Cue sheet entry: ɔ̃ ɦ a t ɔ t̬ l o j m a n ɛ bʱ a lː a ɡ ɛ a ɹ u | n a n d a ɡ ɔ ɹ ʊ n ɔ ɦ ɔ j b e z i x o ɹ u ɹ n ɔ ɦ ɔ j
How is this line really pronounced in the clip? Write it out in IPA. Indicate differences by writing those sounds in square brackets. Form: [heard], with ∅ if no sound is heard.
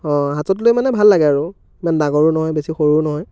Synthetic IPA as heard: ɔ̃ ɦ a t ɔ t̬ l o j m a n ɛ bʱ a lː a ɡ ɛ a ɹ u | [m] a n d a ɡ ɔ ɹ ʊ n ɔ ɦ ɔ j b e [s] i x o ɹ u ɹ n ɔ ɦ ɔ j